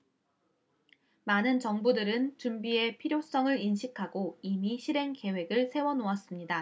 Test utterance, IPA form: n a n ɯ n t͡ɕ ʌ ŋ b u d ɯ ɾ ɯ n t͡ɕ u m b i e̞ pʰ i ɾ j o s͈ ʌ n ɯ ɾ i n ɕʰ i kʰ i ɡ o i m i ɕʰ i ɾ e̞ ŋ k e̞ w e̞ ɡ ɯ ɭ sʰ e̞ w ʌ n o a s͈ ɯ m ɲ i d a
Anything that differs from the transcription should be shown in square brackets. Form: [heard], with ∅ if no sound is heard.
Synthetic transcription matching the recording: [m] a n ɯ n t͡ɕ ʌ ŋ b u d ɯ ɾ ɯ n t͡ɕ u m b i e̞ pʰ i ɾ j o s͈ ʌ [ŋ] ɯ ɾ i n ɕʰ i kʰ [a] ɡ o i m i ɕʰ i ɾ e̞ ŋ k e̞ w e̞ ɡ ɯ ɭ sʰ e̞ w ʌ n o a s͈ ɯ m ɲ i d a